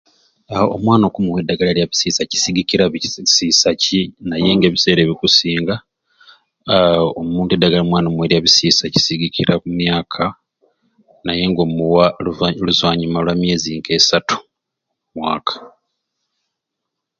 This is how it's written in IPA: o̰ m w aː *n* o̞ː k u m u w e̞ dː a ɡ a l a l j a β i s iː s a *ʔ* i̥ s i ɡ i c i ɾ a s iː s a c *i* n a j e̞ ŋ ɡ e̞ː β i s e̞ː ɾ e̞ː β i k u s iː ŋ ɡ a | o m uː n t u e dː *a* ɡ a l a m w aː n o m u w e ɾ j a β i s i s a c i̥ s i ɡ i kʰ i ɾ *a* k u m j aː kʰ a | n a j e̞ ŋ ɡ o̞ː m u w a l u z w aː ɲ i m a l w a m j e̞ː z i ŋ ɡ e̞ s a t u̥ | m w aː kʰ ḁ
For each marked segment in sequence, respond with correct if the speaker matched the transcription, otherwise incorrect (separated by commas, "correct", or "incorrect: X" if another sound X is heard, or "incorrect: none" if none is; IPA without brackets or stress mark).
correct, incorrect: c, correct, correct, correct